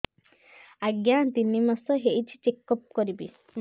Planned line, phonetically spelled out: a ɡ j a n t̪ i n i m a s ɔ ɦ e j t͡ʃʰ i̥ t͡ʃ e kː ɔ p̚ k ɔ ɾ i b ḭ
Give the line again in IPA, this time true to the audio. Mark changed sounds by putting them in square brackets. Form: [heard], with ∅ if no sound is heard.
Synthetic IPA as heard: a ɡ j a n t̪ i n i m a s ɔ ɦ e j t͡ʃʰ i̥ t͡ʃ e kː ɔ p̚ k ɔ ɾ i b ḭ